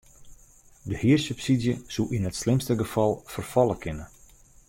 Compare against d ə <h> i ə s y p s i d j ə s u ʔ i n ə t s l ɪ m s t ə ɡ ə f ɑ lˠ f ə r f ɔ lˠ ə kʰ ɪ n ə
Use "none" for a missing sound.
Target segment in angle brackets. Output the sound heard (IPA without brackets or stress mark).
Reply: h